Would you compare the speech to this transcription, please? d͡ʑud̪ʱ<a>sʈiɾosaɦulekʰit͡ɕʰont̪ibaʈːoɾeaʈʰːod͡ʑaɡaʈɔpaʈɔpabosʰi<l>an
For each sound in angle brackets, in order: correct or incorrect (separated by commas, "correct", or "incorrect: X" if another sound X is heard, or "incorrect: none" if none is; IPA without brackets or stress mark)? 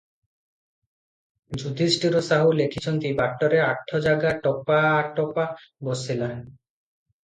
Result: incorrect: i, correct